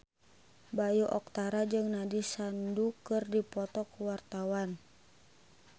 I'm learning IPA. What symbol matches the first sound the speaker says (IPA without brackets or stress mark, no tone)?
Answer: b